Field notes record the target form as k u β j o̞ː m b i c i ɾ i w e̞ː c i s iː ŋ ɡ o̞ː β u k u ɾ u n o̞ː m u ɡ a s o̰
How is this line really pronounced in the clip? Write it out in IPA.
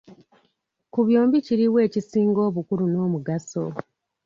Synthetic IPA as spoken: k u β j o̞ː m b i c i ɾ i w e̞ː c i s iː ŋ ɡ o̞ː β u k u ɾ u n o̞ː m u ɡ a s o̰